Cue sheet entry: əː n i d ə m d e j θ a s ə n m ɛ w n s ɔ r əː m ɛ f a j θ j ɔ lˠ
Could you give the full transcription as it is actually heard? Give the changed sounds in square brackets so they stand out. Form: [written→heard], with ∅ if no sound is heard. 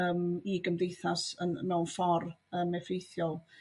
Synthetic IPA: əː [n→m] i [d→ɡ] ə m d e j θ a s ə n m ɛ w n [s→f] ɔ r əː m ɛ f [a→e] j θ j ɔ lˠ